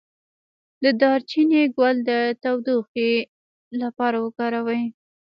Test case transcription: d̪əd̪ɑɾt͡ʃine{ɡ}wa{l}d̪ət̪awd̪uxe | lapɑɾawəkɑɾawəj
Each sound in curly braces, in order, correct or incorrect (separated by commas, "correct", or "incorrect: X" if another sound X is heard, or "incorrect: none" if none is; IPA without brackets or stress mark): correct, correct